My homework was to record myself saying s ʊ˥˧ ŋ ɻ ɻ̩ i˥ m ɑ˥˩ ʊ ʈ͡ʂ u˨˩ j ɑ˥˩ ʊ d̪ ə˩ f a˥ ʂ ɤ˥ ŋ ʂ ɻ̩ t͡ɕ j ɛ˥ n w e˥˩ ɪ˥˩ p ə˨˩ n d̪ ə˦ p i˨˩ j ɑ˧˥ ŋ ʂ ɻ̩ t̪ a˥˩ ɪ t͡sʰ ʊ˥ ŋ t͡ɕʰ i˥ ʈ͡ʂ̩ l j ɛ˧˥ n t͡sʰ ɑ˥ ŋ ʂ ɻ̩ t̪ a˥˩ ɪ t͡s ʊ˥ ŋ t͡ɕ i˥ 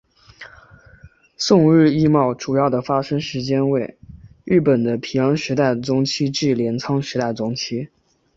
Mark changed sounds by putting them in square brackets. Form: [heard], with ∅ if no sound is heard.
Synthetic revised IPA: s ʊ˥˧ ŋ ɻ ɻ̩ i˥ m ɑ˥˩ ʊ ʈ͡ʂ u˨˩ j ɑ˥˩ ʊ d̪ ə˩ f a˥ ʂ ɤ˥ ŋ ʂ ɻ̩ t͡ɕ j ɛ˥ n w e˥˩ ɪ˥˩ p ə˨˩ n d̪ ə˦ [pʰ] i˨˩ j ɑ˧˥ ŋ ʂ ɻ̩ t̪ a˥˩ ɪ [t͡s] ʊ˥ ŋ t͡ɕʰ i˥ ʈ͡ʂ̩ l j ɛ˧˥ n t͡sʰ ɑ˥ ŋ ʂ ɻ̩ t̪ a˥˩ ɪ t͡s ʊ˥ ŋ [t͡ɕʰ] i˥